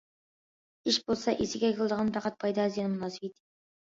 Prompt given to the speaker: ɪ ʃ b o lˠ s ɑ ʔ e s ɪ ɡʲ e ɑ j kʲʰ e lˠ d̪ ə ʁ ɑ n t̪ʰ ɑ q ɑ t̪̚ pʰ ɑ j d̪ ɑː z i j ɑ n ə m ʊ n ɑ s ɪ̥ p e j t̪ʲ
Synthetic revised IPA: ɪ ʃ b o lˠ s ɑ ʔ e s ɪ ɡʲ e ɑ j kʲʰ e lˠ d̪ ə ʁ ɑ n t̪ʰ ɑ q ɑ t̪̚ pʰ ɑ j d̪ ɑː z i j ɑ n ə m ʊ n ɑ s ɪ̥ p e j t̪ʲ

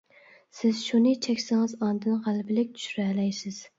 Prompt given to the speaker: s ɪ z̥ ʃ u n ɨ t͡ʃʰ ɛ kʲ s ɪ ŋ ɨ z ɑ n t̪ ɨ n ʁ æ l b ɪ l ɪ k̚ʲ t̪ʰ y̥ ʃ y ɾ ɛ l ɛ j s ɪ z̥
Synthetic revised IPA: s ɪ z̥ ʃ u n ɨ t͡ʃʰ ɛ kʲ s ɪ ŋ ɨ z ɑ n d̪ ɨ n ʁ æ l b ɪ l ɪ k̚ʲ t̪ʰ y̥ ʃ y ɾ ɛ l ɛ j s ɪ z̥

